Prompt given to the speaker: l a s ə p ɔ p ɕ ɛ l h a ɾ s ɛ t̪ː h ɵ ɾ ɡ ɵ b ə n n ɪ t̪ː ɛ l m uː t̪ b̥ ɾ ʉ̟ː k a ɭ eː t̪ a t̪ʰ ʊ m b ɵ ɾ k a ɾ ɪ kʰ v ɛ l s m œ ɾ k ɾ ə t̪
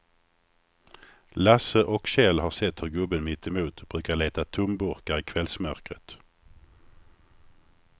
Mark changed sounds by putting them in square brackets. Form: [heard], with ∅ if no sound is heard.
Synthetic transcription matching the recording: l a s ə [ʔ] ɔ [k] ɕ ɛ l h a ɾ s ɛ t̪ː h ɵ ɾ ɡ ɵ b ə n [m] ɪ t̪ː ɛ [∅] m uː t̪ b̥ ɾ ʉ̟ː k a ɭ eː t̪ a t̪ʰ ʊ m b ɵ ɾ k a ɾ ɪ kʰ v ɛ l s m œ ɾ k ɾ ə t̪